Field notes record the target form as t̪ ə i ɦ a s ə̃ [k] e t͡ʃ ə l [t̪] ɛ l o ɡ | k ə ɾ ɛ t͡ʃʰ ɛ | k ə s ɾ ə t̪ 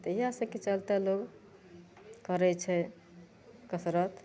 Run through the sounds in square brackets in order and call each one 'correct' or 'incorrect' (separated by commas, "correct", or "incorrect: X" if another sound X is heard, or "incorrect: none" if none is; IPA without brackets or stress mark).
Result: correct, correct